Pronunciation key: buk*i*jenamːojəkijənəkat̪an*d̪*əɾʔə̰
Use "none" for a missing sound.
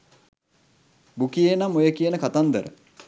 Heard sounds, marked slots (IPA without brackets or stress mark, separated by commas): i, d̪